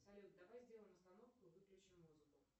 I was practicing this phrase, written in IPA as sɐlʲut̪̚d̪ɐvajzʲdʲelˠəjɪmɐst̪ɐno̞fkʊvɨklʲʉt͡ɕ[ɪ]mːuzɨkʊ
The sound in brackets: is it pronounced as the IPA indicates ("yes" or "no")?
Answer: yes